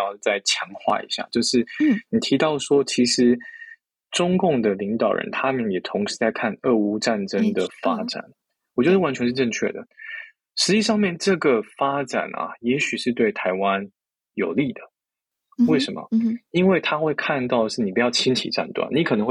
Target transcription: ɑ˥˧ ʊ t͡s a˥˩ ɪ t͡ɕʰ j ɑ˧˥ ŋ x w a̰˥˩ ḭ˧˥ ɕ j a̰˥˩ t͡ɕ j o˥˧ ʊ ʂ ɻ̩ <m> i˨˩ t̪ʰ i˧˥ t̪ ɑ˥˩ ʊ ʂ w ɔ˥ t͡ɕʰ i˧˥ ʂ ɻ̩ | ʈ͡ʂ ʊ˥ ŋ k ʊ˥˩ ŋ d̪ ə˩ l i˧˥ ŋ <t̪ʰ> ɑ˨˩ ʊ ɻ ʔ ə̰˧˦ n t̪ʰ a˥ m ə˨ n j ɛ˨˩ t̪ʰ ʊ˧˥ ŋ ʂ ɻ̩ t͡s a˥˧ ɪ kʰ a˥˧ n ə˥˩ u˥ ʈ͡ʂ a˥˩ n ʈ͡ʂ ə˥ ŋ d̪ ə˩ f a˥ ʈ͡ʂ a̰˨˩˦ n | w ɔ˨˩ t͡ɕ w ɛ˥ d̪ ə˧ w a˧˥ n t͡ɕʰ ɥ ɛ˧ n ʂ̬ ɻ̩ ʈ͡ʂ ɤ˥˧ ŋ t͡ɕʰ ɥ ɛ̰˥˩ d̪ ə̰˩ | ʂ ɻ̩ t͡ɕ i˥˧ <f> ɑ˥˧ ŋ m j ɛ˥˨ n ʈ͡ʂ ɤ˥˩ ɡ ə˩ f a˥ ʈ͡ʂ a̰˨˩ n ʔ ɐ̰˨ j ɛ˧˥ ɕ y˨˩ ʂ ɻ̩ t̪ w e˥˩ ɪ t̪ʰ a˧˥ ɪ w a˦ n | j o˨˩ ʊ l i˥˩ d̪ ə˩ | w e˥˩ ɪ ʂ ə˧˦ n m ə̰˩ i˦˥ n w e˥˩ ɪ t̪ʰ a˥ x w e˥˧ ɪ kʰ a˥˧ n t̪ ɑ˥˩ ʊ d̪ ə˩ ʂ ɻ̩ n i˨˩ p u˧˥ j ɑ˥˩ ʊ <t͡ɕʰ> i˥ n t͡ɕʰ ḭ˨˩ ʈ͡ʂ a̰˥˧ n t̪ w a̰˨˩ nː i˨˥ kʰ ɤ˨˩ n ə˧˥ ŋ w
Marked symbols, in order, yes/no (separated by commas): no, no, no, yes